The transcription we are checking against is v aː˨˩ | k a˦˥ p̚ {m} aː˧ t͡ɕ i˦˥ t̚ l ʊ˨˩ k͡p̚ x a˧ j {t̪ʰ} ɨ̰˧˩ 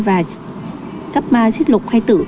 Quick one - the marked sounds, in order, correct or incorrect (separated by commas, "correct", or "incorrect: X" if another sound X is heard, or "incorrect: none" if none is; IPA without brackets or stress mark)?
correct, incorrect: t̪